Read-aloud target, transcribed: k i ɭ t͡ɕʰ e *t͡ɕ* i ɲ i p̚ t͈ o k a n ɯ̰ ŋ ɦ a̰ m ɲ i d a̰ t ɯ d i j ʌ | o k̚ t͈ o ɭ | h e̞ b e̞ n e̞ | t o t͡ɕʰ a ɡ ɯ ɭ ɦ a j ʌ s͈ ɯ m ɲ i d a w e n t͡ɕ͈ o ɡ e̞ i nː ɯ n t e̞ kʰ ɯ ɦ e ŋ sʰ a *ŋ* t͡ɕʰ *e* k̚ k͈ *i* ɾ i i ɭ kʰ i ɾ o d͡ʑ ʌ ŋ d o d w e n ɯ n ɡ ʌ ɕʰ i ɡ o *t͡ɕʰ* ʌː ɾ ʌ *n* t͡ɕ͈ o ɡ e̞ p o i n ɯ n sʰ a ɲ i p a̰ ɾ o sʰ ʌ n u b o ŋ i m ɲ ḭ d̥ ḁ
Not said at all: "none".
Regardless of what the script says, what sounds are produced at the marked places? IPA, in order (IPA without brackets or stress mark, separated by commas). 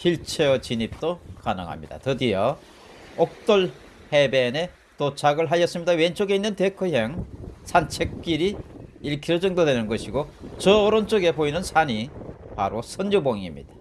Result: t͡ɕ, n, e, i, t͡ɕ, n